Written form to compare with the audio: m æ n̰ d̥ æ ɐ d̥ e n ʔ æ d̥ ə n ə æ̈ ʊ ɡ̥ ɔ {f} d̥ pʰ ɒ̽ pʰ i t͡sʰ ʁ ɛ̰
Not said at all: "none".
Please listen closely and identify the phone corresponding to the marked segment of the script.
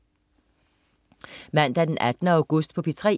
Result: s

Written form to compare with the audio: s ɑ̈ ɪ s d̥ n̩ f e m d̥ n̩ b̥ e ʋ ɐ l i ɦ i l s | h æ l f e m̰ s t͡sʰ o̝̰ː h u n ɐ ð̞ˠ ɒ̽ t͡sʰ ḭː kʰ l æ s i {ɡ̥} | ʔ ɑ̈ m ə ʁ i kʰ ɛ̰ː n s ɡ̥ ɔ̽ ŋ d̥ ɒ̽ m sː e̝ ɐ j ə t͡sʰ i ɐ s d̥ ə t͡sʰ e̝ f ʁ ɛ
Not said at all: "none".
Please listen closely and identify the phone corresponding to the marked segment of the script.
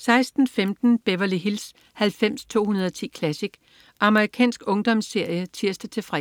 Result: ɡ̥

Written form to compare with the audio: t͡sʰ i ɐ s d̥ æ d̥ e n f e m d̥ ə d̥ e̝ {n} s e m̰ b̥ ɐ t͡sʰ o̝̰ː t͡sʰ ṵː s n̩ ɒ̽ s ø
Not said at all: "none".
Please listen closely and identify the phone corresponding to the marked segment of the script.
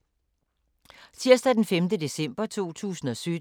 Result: none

